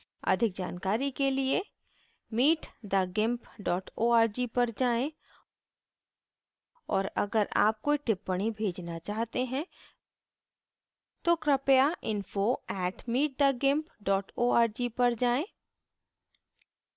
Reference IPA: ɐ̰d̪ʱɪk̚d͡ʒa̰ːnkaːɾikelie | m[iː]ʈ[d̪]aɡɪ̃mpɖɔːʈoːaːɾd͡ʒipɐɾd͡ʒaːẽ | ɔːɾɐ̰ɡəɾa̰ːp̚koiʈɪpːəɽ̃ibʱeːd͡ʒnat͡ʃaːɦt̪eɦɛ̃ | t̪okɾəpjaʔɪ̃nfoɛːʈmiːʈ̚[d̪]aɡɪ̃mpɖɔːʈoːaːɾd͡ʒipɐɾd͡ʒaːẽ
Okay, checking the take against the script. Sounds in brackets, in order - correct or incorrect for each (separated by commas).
correct, correct, correct